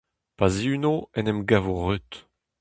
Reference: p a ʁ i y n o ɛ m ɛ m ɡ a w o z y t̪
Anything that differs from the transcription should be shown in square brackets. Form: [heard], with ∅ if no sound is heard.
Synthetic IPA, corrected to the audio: p a [z] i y n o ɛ [n] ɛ m ɡ a [v] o [ʁ] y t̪